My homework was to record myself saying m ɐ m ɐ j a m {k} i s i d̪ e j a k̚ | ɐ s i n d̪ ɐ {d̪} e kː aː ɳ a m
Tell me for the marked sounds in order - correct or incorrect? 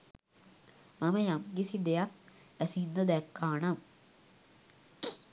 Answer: incorrect: ɡ, correct

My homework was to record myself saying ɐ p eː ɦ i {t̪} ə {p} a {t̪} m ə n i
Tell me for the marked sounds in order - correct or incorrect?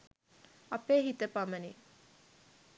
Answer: correct, correct, incorrect: none

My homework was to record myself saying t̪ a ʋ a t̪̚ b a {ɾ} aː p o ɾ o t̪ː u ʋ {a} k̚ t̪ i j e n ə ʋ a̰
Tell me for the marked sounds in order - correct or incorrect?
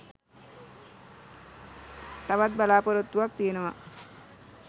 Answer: incorrect: l, correct

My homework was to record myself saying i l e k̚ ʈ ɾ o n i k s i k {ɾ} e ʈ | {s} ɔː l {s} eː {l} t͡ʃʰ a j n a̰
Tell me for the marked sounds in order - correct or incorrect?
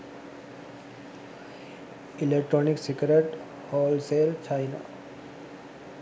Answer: correct, incorrect: h, correct, correct

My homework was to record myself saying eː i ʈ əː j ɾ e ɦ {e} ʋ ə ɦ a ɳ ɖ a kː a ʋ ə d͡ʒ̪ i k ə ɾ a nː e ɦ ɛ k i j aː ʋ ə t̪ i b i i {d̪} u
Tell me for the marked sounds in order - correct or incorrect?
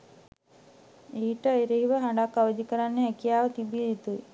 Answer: incorrect: i, incorrect: t̪

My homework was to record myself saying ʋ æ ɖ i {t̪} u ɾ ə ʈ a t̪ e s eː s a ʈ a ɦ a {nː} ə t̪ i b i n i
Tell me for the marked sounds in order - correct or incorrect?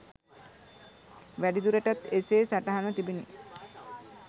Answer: incorrect: d̪, incorrect: n

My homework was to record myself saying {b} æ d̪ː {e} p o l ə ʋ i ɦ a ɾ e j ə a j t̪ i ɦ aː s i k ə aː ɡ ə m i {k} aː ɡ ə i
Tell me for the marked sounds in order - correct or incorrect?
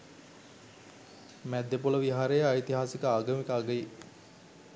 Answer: incorrect: m, correct, correct

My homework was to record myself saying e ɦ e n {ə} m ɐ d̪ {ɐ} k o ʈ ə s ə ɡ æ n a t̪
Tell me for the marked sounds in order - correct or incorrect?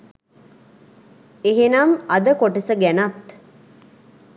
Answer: incorrect: a, incorrect: ə

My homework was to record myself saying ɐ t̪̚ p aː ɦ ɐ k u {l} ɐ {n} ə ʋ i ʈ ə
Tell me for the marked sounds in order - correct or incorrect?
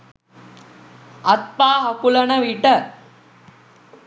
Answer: correct, correct

